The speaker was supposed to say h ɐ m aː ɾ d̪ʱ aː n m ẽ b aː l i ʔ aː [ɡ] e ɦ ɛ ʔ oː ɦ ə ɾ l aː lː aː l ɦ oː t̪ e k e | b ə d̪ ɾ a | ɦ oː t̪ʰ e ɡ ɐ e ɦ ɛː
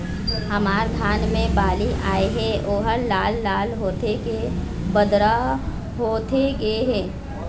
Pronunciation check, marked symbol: incorrect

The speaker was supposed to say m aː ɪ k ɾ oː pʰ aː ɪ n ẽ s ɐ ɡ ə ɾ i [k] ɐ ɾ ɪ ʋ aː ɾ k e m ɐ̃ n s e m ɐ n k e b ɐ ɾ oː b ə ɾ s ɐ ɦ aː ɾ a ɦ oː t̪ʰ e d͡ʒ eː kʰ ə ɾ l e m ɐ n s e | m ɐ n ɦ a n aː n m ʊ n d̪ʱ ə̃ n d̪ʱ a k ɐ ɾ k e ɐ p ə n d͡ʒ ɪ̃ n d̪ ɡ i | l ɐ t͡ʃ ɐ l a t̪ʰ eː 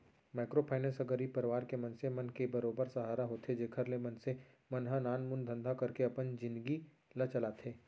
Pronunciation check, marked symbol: incorrect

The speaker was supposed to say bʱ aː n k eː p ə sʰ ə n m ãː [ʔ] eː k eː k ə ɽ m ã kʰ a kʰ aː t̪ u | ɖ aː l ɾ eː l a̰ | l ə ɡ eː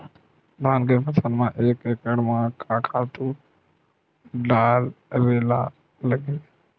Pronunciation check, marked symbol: correct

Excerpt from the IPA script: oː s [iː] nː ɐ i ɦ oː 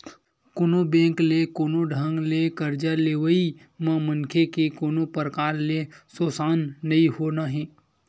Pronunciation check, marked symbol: incorrect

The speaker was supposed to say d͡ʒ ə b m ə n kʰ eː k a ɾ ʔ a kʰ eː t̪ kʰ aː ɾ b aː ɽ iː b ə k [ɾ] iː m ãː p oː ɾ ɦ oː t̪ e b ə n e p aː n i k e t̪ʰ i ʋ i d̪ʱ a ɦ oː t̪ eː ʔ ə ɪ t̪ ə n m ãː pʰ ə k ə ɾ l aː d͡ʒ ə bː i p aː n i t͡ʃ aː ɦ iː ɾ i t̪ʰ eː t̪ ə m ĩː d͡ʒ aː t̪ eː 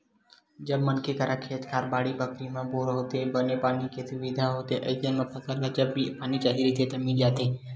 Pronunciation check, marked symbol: correct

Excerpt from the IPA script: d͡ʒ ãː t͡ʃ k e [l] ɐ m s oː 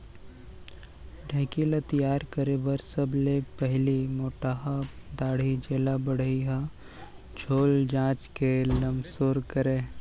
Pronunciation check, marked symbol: correct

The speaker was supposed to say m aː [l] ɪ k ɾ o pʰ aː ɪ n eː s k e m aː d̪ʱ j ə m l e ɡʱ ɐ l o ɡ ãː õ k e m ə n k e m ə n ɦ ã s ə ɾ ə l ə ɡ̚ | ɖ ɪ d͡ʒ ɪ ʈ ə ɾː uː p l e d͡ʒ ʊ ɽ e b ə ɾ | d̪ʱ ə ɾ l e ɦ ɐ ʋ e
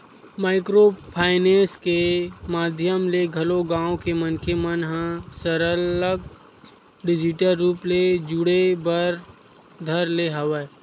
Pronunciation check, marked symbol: incorrect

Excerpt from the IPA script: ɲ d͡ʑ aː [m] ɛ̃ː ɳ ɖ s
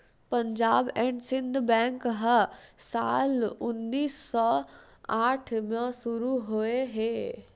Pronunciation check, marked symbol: incorrect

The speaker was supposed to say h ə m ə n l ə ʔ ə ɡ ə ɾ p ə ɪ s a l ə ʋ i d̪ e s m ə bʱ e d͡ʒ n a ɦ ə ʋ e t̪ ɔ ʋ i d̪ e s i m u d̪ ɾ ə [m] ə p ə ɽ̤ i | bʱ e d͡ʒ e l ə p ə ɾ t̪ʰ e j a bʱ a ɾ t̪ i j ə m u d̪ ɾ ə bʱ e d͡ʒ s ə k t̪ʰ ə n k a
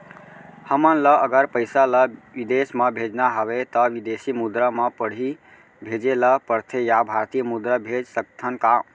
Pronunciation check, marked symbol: correct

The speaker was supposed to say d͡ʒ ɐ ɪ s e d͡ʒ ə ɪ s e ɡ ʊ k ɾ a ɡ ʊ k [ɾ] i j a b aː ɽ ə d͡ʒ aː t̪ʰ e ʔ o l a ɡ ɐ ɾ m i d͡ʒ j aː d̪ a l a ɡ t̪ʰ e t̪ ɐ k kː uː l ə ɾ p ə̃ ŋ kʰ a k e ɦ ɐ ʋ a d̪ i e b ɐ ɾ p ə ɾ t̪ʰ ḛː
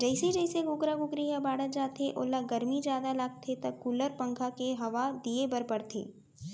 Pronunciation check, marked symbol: correct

